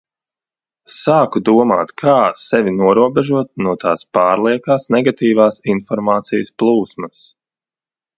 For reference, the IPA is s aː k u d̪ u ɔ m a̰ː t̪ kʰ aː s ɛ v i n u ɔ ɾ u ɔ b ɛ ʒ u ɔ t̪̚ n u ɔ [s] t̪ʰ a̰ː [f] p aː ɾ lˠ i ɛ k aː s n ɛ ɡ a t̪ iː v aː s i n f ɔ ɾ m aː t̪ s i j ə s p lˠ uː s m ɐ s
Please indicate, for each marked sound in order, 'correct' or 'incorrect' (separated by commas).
incorrect, incorrect